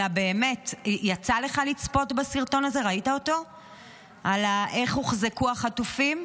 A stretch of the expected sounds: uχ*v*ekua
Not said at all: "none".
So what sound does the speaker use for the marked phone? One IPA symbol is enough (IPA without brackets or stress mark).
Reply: z